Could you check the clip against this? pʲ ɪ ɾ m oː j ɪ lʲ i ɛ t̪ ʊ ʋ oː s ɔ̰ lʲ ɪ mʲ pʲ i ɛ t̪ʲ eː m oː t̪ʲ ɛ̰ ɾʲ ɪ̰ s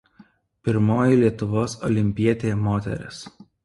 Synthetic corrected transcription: pʲ ɪ ɾ m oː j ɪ lʲ i ɛ t̪ ʊ ʋ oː s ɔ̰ lʲ ɪ mʲ pʲ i ɛ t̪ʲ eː m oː t̪ʲ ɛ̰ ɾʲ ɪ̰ s